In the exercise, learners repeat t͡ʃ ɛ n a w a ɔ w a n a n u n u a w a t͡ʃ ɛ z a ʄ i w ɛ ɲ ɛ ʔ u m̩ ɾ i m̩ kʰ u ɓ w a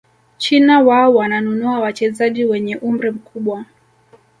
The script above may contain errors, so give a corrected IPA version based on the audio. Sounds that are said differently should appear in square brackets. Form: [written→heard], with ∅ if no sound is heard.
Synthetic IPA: t͡ʃ [ɛ→i] n a w a ɔ w a n a n u n u a w a t͡ʃ ɛ z a ʄ i w ɛ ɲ ɛ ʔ u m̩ ɾ i m̩ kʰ u ɓ w a